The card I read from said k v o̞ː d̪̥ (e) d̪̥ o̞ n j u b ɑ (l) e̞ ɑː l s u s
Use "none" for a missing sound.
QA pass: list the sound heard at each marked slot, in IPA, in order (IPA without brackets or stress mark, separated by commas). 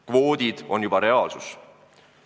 i, ɾ